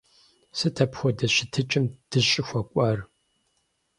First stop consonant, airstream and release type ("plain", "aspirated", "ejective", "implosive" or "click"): aspirated